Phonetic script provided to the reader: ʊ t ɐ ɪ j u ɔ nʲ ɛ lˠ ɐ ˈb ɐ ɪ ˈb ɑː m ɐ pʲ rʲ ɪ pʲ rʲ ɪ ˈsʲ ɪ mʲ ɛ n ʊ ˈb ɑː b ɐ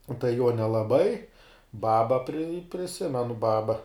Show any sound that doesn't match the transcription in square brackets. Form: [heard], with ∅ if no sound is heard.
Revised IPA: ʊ t ɐ ɪ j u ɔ nʲ ɛ lˠ ɐ ˈb ɐ ɪ ˈb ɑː [b] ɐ pʲ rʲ ɪ pʲ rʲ ɪ ˈsʲ ɪ mʲ ɛ n ʊ ˈb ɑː b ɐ